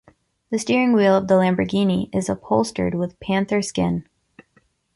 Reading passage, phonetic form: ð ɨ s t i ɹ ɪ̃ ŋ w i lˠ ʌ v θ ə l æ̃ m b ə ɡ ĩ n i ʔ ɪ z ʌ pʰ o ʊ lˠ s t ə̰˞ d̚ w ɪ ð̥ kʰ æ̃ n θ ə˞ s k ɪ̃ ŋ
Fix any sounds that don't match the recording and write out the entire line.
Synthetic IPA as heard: ð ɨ s t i ɹ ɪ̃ ŋ w i lˠ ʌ v ð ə l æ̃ m b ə ɡ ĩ n i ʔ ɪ z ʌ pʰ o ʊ lˠ s t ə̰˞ d̚ w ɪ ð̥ pʰ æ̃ n θ ə˞ s k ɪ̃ n

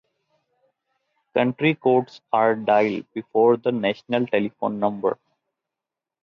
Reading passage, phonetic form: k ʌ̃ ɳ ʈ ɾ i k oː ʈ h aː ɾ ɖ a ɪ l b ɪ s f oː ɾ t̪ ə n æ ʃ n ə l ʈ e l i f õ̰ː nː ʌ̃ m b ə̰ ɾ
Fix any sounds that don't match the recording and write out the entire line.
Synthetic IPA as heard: k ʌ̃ ɳ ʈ ɾ i k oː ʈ s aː ɾ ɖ a ɪ l b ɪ f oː ɾ d̪ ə n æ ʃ n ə l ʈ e l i f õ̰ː nː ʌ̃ m b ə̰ ɾ

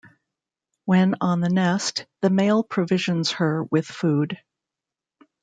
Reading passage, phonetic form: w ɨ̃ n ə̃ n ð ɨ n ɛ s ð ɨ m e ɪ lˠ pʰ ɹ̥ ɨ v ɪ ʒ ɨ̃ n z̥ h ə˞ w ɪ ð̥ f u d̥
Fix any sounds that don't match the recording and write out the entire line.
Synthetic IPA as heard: w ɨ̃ n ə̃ n ð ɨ n ɛ s ð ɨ m e ɪ lˠ pʰ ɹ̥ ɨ v ɪ ʒ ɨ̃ n z̥ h ə˞ w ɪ ð̥ f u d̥

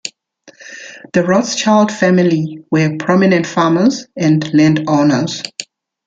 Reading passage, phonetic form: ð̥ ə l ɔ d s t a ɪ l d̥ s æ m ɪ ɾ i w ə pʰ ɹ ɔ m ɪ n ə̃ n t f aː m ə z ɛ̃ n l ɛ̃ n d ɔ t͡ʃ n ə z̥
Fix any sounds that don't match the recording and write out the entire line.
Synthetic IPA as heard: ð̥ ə ɹ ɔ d s t͡ʃ a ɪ l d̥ f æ m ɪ l i w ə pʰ ɹ ɔ m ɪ n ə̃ n t f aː m ə z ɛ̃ n l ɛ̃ n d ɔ n ə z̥

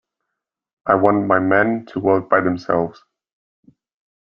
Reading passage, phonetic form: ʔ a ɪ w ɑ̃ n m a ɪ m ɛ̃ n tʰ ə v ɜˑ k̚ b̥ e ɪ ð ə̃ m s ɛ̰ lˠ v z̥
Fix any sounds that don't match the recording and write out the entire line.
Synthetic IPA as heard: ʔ a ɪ w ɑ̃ n m a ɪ m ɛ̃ n tʰ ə w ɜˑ k̚ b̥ a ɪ ð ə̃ m s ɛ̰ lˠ v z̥

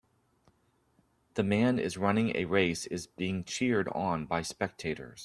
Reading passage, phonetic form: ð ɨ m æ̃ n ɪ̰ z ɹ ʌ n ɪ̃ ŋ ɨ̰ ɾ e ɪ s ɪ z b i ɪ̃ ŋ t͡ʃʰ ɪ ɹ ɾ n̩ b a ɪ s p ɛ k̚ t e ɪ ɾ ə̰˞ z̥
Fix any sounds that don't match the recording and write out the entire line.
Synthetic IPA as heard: ð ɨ m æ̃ n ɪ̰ z ɹ ʌ n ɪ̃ ŋ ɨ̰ ɹ e ɪ s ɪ z b i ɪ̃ ŋ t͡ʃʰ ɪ ɹ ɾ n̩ b a ɪ s p ɛ k̚ tʰ e ɪ ɾ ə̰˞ z̥

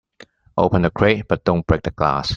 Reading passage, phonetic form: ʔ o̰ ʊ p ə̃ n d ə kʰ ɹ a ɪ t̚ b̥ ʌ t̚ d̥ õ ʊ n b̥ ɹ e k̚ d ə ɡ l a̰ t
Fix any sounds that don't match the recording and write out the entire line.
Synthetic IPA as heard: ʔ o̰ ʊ p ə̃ n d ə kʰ ɹ e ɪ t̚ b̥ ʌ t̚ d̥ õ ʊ n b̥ ɹ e k̚ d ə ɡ l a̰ s

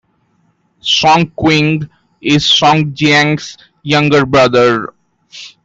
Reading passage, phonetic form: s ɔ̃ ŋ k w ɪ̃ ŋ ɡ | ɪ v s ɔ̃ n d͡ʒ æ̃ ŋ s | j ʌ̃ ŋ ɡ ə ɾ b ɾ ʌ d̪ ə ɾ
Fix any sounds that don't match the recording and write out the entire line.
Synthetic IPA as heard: s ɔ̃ ŋ k w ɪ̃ ŋ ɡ | ɪ z s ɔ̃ ŋ d͡ʒ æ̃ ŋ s | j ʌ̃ ŋ ɡ ə ɾ b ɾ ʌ d̪ ə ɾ

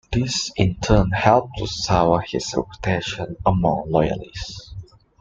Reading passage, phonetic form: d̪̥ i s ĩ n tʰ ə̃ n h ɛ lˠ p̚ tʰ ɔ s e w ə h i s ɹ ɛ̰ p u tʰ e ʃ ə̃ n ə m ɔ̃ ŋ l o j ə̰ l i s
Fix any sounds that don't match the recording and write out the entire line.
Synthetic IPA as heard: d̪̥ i s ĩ n tʰ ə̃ n h ɛ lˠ p̚ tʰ u s a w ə h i s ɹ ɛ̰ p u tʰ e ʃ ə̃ n ə m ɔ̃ ŋ l ɔ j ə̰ l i s

